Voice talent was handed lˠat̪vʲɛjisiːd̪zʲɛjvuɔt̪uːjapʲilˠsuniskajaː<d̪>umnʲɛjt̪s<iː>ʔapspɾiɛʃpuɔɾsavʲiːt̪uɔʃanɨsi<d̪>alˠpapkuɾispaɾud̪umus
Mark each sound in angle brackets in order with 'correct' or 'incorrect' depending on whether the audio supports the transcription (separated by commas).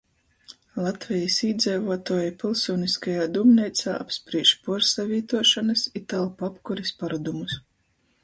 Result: correct, incorrect, incorrect